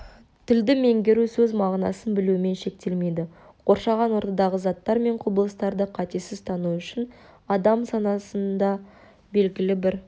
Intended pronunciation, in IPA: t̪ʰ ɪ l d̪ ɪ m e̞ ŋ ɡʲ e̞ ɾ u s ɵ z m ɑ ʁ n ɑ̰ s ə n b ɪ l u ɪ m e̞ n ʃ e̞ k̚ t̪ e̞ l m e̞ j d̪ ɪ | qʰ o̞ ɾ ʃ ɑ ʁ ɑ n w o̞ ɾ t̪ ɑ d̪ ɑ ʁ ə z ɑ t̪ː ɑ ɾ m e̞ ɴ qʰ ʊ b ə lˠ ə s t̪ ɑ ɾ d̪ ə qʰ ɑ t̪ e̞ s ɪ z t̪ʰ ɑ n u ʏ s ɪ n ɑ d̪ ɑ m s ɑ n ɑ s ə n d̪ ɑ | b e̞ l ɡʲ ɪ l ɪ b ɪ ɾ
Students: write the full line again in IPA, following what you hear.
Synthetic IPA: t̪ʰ ɪ l d̪ ɪ m e̞ ŋ ɡʲ e̞ ɾ u s ɵ z m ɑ ʁ n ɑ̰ s ə n b ɪ l u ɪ m e̞ n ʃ e̞ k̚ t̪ e̞ l m e̞ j d̪ ɪ | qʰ o̞ ɾ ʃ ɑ ʁ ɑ n w o̞ ɾ t̪ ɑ d̪ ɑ ʁ ə z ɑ t̪ː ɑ ɾ m e̞ ɴ qʰ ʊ b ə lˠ ə s t̪ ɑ ɾ d̪ ə qʰ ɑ t̪ e̞ s ɪ z t̪ʰ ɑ n u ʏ ʃ ɪ n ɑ d̪ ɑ m s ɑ n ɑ s ə n d̪ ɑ | b e̞ l ɡʲ ɪ l ɪ b ɪ ɾ